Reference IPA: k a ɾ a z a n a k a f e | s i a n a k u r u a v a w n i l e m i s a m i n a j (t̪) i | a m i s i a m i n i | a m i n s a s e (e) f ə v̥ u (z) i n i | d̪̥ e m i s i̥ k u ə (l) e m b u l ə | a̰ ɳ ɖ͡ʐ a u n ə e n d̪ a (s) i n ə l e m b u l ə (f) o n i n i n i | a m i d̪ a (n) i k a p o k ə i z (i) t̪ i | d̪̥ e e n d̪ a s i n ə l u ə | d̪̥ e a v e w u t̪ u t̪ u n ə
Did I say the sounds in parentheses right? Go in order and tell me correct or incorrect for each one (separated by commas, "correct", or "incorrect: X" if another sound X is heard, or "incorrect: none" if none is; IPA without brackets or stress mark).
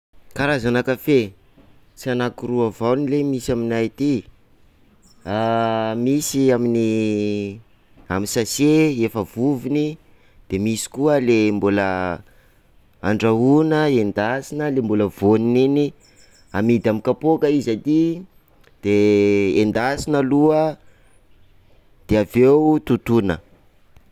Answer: correct, correct, incorrect: v, correct, correct, incorrect: v, incorrect: m, incorrect: a